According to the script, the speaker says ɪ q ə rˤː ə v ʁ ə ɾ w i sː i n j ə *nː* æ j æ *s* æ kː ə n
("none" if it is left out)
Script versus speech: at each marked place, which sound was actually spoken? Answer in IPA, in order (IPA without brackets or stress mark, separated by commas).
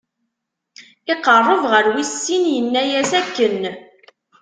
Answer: nː, s